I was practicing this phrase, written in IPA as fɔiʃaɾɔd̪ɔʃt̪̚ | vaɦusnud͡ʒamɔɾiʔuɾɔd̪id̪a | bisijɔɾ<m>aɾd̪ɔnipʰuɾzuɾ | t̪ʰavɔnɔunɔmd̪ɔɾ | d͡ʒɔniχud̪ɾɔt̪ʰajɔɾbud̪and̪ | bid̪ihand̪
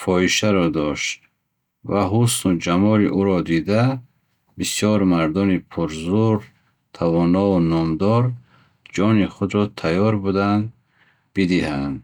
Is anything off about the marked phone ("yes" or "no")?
no